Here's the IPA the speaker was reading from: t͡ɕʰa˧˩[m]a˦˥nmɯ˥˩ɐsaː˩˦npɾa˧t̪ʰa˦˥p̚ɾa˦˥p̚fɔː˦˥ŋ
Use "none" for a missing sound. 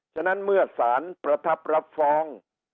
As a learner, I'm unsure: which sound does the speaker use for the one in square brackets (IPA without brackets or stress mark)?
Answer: n